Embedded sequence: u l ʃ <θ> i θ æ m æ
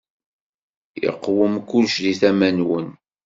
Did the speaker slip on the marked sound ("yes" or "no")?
yes